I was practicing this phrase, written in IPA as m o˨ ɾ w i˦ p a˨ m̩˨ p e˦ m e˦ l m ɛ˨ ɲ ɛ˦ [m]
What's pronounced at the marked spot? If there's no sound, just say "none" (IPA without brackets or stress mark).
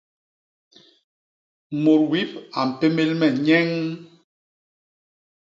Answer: ŋ